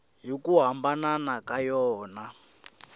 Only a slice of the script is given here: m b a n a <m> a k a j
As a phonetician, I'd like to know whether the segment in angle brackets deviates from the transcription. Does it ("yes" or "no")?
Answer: yes